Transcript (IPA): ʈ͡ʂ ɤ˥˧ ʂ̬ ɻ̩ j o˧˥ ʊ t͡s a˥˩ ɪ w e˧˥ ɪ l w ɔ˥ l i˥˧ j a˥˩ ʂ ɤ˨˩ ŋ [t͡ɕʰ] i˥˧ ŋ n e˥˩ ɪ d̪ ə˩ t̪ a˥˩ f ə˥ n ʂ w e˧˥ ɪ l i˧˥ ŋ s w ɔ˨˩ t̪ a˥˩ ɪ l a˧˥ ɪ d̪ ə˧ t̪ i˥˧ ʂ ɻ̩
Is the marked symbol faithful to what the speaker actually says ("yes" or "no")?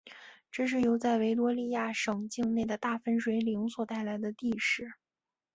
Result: no